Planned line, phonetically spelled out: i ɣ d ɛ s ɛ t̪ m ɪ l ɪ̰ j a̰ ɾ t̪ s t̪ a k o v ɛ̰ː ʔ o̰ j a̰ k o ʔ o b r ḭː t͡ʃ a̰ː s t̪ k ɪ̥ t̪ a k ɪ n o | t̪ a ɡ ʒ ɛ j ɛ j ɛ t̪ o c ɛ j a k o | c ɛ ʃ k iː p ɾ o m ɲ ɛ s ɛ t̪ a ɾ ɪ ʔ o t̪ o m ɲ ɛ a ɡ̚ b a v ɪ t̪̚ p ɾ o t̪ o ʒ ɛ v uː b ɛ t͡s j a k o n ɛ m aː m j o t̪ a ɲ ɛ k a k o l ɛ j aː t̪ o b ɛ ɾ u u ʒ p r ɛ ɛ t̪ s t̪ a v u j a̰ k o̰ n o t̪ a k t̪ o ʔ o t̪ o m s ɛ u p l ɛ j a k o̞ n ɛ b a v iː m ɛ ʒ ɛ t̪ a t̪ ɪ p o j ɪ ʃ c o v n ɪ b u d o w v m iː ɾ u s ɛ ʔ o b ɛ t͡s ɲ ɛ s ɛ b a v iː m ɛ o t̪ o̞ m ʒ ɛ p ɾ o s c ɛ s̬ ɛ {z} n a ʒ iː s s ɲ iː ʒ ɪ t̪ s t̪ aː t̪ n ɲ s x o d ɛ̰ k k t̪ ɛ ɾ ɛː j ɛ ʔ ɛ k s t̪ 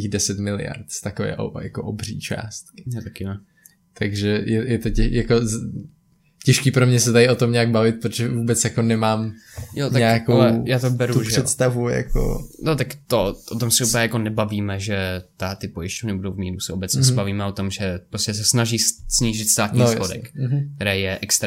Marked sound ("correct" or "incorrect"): incorrect